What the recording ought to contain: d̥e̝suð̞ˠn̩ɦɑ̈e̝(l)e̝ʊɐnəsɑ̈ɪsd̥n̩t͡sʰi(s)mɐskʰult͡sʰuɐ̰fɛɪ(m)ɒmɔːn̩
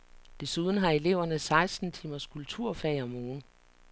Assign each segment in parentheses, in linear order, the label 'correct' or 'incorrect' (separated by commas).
correct, incorrect, incorrect